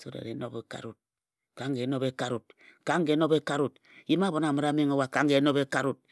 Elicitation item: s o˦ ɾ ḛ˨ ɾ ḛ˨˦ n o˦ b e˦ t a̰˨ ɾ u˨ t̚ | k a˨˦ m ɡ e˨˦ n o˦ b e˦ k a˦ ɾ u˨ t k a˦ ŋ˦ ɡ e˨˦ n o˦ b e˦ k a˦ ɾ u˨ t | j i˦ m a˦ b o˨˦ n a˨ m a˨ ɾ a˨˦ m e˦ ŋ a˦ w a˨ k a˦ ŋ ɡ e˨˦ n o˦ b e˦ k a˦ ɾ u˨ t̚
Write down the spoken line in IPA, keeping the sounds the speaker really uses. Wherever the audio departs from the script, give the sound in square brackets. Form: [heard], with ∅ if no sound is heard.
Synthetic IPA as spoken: s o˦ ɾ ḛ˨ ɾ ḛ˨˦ n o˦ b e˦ [k] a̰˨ ɾ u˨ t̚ | k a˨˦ [ŋ] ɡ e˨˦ n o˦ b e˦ k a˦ ɾ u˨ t k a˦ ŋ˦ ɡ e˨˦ n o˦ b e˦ k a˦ ɾ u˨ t | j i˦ m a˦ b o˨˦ n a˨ m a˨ ɾ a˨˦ m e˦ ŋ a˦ w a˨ k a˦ ŋ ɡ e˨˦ n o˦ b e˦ k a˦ ɾ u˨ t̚